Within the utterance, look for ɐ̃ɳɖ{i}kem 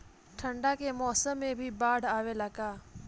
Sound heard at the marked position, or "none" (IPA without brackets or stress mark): a